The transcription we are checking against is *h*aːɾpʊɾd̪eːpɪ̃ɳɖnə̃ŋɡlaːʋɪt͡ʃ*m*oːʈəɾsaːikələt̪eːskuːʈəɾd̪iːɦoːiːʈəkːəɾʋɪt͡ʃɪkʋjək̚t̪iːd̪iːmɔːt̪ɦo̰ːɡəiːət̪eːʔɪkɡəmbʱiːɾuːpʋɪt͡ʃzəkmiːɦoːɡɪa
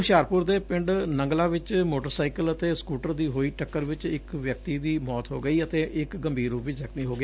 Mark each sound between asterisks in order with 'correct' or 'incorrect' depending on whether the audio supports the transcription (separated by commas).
incorrect, correct